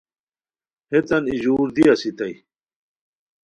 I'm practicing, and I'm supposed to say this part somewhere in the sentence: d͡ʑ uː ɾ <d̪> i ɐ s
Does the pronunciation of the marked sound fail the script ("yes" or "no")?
no